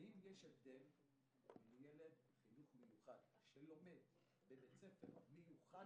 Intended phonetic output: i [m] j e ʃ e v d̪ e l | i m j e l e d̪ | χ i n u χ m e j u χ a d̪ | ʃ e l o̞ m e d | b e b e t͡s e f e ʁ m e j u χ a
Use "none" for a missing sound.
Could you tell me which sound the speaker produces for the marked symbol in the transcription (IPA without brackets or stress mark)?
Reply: m